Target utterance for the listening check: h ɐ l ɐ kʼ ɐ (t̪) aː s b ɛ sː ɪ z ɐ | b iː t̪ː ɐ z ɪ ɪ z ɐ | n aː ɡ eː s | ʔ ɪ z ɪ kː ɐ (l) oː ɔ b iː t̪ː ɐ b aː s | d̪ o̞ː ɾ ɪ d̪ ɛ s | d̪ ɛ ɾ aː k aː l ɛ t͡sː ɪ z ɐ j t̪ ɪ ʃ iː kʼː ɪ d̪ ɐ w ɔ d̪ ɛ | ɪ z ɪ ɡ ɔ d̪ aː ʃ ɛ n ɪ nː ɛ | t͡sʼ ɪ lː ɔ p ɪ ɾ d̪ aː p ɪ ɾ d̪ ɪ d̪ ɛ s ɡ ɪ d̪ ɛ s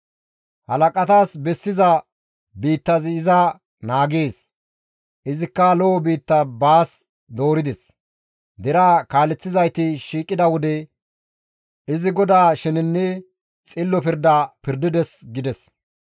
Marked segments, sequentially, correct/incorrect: correct, correct

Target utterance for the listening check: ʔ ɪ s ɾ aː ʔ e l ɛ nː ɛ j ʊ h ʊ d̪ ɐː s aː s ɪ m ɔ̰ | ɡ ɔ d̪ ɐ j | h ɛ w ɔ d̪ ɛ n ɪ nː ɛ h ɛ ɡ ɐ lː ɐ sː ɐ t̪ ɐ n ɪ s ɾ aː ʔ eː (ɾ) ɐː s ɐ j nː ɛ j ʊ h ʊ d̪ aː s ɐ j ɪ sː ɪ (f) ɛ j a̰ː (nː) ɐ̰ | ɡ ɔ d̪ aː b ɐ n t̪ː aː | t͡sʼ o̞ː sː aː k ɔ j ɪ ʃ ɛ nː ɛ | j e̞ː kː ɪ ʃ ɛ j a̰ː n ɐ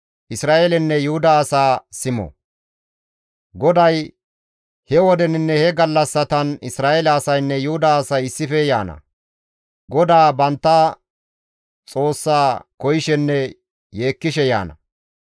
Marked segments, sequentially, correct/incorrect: incorrect: l, correct, incorrect: n

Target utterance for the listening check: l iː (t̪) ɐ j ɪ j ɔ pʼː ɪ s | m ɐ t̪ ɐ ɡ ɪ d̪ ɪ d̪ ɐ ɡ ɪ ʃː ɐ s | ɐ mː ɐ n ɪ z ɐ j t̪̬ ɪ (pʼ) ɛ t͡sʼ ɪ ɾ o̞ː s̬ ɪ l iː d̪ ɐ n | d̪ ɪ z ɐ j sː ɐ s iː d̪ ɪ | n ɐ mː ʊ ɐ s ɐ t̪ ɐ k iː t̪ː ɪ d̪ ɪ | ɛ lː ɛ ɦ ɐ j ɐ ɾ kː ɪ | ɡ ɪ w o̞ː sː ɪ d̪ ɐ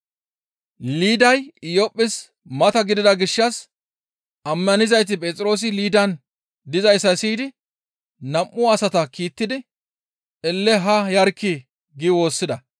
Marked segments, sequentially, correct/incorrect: incorrect: d̪, correct

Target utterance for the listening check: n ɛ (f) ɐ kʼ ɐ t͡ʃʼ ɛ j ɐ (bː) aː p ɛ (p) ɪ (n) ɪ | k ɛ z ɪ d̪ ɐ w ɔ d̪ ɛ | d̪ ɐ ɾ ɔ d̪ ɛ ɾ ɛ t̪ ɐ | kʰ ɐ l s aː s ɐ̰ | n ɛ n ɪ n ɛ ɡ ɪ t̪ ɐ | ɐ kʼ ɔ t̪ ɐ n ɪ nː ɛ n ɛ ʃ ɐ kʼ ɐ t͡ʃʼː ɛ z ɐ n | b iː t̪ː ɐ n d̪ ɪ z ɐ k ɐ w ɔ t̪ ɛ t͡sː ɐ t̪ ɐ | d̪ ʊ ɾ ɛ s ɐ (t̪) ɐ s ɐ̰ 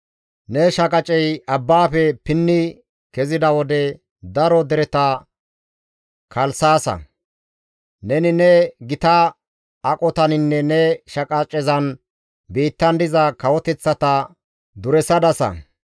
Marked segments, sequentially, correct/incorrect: incorrect: ʃ, correct, correct, incorrect: nː, incorrect: d̪

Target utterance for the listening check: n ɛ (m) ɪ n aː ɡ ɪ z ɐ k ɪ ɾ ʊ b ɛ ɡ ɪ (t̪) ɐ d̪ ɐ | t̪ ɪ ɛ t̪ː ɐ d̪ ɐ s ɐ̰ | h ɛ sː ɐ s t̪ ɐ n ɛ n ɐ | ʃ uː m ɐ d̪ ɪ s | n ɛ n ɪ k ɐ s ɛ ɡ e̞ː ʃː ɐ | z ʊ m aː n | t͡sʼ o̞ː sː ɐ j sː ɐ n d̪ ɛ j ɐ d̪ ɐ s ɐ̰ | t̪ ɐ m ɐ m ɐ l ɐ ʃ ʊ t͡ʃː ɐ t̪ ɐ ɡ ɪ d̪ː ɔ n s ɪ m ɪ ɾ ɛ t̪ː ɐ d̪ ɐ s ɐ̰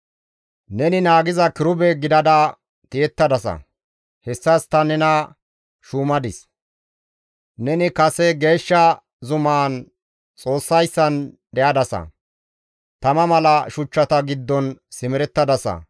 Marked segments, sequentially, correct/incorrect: incorrect: n, incorrect: d̪

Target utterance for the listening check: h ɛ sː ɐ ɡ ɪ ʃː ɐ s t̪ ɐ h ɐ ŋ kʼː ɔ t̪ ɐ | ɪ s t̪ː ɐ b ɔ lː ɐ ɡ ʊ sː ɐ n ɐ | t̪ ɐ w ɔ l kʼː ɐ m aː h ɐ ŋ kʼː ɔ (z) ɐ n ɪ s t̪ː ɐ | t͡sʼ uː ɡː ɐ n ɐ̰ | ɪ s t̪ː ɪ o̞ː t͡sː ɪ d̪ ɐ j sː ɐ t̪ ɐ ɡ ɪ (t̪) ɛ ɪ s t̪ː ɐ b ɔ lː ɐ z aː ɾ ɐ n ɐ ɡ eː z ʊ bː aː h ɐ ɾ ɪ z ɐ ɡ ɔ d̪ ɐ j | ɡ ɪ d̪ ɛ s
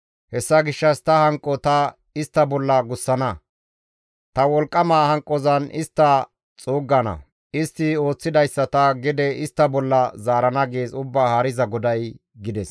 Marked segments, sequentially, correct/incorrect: correct, incorrect: d̪

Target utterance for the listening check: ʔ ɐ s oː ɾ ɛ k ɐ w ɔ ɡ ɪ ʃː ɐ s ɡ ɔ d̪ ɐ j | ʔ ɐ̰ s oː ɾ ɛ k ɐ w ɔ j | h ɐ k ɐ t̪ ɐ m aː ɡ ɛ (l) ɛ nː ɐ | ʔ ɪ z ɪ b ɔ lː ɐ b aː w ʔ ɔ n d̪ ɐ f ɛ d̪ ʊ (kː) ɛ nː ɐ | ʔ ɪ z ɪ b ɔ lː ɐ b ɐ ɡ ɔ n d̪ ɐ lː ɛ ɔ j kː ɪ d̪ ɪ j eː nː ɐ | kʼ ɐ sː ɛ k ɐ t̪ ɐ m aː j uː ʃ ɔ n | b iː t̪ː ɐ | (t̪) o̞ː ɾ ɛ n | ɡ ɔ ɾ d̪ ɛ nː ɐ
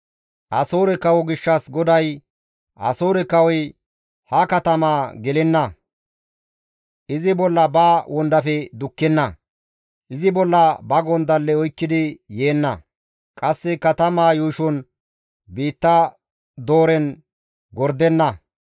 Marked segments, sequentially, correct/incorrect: correct, correct, incorrect: d̪

